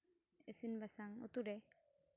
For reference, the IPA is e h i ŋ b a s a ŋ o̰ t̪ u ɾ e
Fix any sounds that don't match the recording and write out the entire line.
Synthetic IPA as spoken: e s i n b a s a ŋ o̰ t̪ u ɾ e